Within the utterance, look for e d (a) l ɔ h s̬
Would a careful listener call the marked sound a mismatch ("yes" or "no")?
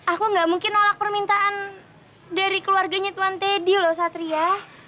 yes